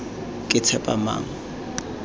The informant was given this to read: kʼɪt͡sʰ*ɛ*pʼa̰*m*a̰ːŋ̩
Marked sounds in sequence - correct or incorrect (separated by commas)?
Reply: correct, correct